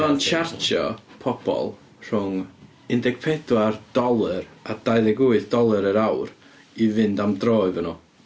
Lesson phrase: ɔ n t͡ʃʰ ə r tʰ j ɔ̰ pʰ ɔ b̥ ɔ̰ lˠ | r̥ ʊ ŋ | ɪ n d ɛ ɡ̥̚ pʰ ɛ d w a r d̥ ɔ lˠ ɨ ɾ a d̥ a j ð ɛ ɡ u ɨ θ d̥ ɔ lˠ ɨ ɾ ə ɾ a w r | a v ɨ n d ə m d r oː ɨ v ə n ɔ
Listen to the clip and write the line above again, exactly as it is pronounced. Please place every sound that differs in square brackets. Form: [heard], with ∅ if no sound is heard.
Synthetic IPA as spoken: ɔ n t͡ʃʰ [a] r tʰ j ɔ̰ pʰ ɔ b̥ ɔ̰ lˠ | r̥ ʊ ŋ | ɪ n d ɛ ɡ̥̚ pʰ ɛ d w a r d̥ ɔ lˠ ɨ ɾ a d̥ a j ð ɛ ɡ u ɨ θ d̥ ɔ lˠ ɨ ɾ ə ɾ a w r | [i] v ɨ n d [a] m d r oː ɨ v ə n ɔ